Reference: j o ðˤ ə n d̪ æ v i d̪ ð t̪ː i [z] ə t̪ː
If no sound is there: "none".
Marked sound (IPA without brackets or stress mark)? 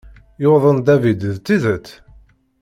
ð